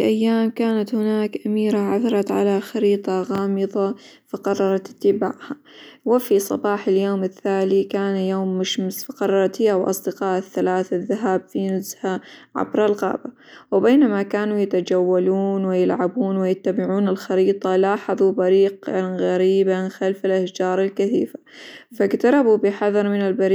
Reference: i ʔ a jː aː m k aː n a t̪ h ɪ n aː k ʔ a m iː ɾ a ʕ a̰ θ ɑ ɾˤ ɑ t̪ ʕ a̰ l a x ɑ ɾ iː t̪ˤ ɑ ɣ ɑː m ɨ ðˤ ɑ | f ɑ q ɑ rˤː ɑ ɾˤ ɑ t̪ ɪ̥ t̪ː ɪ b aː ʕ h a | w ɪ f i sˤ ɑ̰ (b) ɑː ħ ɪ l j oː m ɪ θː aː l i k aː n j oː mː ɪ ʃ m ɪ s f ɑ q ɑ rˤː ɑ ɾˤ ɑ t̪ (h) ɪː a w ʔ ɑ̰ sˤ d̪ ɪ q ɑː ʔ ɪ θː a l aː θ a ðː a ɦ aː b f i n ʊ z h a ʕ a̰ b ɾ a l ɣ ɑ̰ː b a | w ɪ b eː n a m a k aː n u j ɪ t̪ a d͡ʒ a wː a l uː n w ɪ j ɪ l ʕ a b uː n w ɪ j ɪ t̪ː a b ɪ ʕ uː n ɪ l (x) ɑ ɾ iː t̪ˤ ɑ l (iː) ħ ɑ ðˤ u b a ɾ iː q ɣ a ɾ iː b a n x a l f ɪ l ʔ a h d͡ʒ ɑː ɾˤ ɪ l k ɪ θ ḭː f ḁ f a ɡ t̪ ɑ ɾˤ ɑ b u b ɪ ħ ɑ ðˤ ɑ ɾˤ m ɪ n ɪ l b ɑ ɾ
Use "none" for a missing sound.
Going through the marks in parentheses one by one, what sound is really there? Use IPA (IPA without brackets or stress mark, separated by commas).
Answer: b, h, x, aː